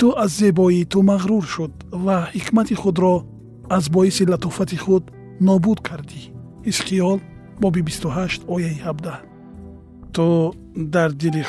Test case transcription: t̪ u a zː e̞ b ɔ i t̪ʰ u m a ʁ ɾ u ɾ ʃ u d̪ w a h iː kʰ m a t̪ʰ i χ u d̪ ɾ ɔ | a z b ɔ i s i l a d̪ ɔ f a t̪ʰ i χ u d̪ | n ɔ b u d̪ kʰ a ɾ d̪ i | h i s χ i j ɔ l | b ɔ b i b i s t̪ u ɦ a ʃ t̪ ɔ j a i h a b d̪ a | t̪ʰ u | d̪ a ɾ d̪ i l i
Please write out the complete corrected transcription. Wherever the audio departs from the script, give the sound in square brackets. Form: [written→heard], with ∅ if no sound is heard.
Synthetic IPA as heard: t̪ u a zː e̞ b ɔ i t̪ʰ u m a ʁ ɾ u ɾ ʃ u d̪ [w→v] a h [iː→i] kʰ m a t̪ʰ i χ u d̪ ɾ ɔ | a z b ɔ i s i l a [d̪→t̪] ɔ f a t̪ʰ i χ u d̪ | n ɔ b u d̪ kʰ a ɾ d̪ i | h i s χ i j ɔ l | b ɔ b i b i s t̪ u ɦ a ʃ t̪ ɔ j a i h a b d̪ a | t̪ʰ u | d̪ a ɾ d̪ i l i